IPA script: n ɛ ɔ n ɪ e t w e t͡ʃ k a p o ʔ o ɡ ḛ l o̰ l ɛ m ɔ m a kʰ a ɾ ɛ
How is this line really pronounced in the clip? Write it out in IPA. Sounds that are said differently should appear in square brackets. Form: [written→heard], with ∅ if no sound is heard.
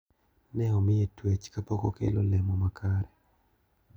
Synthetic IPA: n ɛ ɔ [n→m] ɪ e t w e t͡ʃ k a p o [ʔ→k] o [ɡ→k] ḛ l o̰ l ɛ m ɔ m a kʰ a ɾ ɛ

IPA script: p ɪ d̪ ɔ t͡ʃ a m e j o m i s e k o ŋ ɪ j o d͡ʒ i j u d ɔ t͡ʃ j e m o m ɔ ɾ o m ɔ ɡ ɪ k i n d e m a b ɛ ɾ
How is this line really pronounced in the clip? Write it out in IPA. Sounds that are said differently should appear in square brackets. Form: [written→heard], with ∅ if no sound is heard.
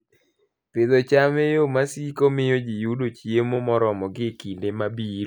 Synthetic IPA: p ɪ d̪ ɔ t͡ʃ a m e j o m [i→a] s [e→i] k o [ŋ→m] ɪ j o d͡ʒ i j u d [ɔ→o] t͡ʃ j e m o m ɔ ɾ [o→ɔ] m ɔ ɡ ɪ k i n d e m a b [ɛ→i] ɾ

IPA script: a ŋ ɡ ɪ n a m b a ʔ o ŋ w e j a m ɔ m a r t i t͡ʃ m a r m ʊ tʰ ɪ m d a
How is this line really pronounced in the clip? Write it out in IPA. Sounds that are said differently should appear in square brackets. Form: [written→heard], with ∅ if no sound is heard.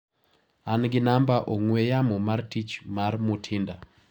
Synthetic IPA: a [ŋ→n] ɡ ɪ n a m b a ʔ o ŋ w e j a m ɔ m a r t i t͡ʃ m a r m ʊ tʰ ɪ [m→n] d a

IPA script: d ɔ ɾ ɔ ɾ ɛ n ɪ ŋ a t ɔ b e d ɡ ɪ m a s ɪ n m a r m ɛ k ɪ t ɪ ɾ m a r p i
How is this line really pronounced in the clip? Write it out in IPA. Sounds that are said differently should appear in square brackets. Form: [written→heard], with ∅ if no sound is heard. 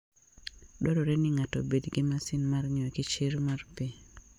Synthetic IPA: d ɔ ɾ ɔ ɾ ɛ n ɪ ŋ a t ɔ b e d ɡ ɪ m a s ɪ n m a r [m→ɲ] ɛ k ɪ [t→t͡ʃ] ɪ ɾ m a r p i

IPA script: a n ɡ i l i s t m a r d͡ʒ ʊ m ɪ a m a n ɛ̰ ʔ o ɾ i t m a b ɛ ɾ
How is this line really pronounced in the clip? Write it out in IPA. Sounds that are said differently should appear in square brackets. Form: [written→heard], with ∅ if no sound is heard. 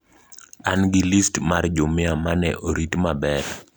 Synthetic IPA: a n ɡ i l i s t m a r d͡ʒ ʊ m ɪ a m a n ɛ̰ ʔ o ɾ i t m a b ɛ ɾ

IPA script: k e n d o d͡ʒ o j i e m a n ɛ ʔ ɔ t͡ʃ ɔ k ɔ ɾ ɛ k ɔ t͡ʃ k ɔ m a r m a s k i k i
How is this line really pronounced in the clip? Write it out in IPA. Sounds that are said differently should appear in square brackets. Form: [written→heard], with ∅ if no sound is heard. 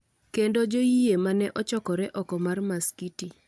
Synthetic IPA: k e n d o d͡ʒ o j i e m a n ɛ ʔ ɔ t͡ʃ ɔ k ɔ ɾ ɛ [k→ʔ] ɔ [t͡ʃ→∅] k ɔ m a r m a s k i [k→t] i

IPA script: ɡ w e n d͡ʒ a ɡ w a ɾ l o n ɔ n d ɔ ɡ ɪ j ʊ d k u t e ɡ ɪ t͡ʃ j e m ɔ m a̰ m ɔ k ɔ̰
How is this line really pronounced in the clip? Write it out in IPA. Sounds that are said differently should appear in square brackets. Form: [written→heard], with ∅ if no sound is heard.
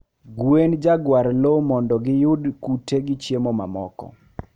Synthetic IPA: ɡ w e n d͡ʒ a ɡ w a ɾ l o [n→m] ɔ n d ɔ ɡ ɪ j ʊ d k u t e ɡ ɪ t͡ʃ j e m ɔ m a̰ m ɔ k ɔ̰

